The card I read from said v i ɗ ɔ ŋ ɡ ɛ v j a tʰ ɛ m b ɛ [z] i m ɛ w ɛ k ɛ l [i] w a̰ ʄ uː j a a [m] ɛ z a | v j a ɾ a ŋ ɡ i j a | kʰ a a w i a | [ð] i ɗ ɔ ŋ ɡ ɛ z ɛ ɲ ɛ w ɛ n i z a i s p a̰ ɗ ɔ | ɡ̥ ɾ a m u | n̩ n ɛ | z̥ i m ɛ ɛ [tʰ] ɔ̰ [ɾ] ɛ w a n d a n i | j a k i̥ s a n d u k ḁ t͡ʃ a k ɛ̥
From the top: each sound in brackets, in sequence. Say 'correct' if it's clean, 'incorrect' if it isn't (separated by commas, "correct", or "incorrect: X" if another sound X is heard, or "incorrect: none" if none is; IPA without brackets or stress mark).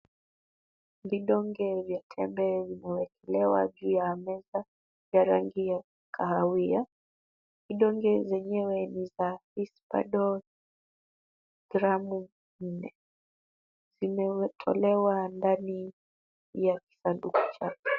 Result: incorrect: v, incorrect: ɛ, correct, incorrect: v, correct, incorrect: l